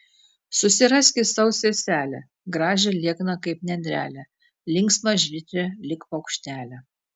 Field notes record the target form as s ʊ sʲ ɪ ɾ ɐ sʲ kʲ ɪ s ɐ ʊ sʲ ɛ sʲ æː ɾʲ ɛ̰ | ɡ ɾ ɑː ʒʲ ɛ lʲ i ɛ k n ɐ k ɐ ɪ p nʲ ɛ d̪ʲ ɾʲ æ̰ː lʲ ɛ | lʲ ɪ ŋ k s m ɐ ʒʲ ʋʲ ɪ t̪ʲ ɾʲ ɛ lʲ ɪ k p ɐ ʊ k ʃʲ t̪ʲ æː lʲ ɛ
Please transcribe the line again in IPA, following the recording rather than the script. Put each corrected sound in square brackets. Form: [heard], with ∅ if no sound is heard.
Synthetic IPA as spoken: s ʊ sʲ ɪ ɾ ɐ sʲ kʲ ɪ s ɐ ʊ sʲ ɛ sʲ æː [lʲ] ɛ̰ | ɡ ɾ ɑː ʒʲ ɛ lʲ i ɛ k n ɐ k ɐ ɪ p nʲ ɛ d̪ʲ ɾʲ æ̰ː lʲ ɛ | lʲ ɪ ŋ k s m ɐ ʒʲ ʋʲ ɪ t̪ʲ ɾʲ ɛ lʲ ɪ k p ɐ ʊ k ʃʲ t̪ʲ æː lʲ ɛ